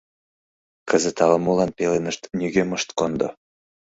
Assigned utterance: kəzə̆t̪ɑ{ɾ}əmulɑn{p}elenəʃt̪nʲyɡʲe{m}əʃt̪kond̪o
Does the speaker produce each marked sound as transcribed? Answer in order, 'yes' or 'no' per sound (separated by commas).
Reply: no, yes, yes